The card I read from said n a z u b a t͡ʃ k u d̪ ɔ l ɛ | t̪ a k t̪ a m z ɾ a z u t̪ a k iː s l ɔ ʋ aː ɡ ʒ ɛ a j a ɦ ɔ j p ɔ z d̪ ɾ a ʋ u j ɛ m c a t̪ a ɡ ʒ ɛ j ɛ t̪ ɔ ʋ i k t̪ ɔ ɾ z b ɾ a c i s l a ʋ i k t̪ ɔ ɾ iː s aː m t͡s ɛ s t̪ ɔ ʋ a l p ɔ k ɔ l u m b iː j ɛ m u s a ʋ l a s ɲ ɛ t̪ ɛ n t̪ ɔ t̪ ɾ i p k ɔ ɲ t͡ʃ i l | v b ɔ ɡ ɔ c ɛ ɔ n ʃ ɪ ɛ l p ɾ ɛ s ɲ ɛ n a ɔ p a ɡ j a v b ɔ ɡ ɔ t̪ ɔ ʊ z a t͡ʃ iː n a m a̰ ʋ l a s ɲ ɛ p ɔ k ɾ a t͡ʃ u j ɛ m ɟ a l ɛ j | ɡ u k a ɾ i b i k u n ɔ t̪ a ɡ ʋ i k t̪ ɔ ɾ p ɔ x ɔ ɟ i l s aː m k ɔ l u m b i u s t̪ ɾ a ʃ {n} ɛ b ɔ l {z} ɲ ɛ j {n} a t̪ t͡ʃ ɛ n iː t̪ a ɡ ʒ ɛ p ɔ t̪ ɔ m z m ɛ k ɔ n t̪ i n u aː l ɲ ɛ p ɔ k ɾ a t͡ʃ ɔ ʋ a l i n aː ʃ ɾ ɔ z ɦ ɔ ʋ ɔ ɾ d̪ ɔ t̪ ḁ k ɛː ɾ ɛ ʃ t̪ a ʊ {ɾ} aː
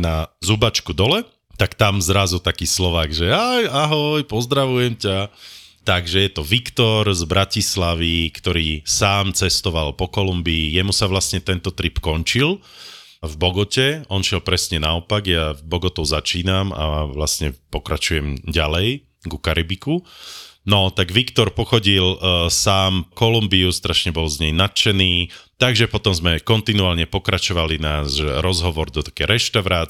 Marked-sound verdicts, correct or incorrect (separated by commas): incorrect, correct, correct, correct